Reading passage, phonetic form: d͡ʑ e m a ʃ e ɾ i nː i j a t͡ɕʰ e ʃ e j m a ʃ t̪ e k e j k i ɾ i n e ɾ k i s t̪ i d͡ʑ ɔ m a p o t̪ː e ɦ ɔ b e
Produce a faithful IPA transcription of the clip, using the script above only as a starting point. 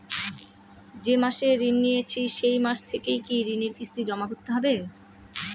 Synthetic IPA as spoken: d͡ʑ e m a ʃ e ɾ i nː i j e t͡ɕʰ i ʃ e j m a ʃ t̪ʰ e k e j k i ɾ i n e ɾ k i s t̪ i d͡ʑ ɔ m a k o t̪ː e ɦ ɔ b e